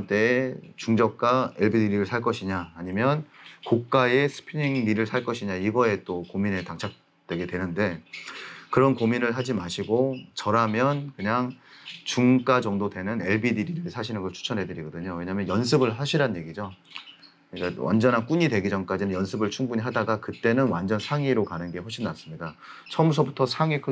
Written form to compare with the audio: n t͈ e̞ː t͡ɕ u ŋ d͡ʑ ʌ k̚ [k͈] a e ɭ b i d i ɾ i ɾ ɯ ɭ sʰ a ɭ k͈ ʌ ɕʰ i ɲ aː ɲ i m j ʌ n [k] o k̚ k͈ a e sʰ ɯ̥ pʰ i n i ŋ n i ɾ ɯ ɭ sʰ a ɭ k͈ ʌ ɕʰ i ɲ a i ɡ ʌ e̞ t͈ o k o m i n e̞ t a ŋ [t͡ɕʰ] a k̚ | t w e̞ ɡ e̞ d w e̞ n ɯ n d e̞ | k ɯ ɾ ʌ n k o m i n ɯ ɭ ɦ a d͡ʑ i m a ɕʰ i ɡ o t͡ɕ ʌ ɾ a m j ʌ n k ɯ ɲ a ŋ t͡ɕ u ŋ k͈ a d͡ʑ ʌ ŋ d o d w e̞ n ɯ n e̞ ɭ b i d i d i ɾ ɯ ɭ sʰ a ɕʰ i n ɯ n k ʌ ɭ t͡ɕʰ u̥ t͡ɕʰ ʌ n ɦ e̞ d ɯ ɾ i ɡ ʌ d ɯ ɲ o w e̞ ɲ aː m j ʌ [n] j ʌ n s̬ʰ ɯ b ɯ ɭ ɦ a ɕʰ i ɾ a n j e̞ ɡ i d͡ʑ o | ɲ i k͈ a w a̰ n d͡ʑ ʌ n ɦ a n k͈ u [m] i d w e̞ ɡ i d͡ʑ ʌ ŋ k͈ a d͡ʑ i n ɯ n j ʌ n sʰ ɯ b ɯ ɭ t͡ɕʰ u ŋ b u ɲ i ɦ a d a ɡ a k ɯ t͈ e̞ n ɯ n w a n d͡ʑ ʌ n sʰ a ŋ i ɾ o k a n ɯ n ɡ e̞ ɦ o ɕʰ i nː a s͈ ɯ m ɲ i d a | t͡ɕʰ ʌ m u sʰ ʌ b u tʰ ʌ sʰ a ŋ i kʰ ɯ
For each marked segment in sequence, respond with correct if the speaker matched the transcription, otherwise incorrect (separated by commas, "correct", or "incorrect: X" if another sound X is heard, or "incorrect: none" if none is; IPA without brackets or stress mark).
correct, correct, correct, correct, incorrect: ɲ